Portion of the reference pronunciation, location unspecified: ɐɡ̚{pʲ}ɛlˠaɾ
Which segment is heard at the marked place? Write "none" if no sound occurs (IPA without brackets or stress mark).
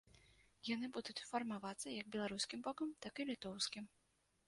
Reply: bʲ